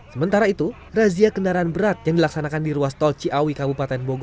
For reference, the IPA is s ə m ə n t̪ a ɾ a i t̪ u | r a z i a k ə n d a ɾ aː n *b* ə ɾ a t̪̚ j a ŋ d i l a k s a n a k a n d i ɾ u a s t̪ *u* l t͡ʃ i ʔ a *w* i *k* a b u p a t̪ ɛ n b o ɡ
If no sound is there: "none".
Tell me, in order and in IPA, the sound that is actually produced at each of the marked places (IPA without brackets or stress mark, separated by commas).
b, ɔ, w, k